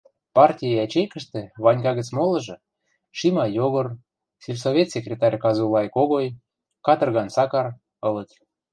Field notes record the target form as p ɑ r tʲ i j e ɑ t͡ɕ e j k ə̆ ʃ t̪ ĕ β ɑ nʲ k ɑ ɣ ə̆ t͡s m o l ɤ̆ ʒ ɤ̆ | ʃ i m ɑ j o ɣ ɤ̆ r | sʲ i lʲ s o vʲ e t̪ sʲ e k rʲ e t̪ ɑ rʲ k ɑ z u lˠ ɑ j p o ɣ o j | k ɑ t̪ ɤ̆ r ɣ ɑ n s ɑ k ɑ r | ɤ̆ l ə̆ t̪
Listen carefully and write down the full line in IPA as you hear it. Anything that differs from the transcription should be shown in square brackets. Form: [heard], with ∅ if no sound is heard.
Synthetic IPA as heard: p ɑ r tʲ i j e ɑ t͡ɕ e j k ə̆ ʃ t̪ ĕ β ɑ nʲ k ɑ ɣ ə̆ t͡s m o l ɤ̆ ʒ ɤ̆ | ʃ i m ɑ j o ɣ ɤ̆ r | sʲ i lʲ s o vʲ e t̪ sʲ e k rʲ e t̪ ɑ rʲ k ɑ z u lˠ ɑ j [k] o ɣ o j | k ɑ t̪ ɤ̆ r ɣ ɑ n s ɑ k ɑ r | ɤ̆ l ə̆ t̪